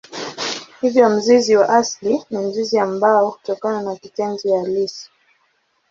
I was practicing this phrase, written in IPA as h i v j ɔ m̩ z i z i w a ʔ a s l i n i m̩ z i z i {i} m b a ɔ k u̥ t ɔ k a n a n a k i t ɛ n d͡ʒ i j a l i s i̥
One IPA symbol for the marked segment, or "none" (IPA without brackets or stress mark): a